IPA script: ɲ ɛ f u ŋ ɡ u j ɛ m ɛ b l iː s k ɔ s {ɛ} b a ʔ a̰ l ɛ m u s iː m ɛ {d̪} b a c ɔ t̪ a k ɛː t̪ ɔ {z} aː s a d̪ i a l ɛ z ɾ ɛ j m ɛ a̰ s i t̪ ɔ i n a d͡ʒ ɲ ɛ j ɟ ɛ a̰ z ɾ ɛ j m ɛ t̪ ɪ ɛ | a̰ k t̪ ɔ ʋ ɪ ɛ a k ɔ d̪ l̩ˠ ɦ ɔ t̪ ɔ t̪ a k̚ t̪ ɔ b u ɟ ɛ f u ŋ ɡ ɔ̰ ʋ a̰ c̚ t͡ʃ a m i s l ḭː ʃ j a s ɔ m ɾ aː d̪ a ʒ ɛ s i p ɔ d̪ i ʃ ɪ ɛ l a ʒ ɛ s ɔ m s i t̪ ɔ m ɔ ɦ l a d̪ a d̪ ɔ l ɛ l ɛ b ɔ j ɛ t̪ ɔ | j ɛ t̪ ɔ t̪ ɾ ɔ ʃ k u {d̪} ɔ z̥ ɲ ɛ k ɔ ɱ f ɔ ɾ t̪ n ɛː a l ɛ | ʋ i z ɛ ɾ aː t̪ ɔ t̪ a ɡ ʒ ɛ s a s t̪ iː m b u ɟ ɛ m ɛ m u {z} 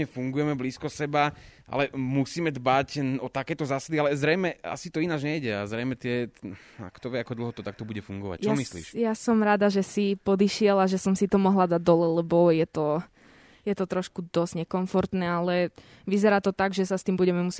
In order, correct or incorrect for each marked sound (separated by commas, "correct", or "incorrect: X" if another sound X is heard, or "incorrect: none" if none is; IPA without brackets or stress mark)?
correct, correct, correct, correct, incorrect: s